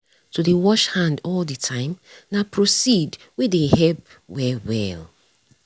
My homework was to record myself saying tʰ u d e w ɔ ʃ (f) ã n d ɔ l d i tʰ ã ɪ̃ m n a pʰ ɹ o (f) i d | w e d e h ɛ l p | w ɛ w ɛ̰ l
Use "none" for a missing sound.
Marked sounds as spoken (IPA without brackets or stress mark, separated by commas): h, s